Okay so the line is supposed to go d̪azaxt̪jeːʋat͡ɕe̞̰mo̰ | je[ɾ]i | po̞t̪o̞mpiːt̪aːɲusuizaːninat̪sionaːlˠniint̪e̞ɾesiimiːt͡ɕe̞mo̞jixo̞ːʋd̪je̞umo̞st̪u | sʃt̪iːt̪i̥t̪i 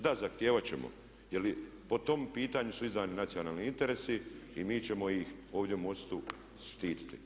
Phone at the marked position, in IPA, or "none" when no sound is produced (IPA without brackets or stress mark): l